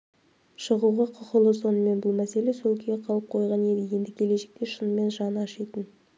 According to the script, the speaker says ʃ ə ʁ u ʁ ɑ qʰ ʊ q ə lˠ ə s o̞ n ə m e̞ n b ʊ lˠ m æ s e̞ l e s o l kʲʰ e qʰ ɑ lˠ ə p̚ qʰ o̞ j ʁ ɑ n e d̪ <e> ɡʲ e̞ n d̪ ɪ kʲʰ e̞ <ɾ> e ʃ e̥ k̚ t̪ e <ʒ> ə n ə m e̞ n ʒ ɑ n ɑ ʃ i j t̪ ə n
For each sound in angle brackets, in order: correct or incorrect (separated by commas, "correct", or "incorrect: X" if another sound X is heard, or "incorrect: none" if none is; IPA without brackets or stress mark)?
correct, incorrect: l, incorrect: ʃ